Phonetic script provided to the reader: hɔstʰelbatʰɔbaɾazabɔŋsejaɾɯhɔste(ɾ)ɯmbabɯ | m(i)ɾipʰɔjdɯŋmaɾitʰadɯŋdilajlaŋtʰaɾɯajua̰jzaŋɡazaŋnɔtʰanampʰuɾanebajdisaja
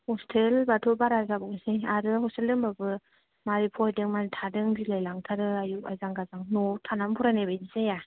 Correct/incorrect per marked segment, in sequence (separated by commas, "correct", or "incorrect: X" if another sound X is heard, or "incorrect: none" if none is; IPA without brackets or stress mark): incorrect: l, incorrect: a